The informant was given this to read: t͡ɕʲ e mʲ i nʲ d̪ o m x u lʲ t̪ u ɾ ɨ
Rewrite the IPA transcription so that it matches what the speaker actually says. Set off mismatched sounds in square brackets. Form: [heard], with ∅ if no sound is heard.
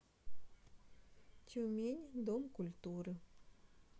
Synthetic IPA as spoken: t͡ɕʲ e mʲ [e] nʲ d̪ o m [k] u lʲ t̪ u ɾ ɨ